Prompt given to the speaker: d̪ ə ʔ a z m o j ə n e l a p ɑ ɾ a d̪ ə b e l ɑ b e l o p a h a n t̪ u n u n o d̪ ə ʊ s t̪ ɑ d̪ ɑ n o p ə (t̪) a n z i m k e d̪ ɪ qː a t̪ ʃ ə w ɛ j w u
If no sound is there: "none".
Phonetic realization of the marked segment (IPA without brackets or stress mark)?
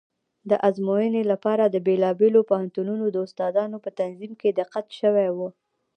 t̪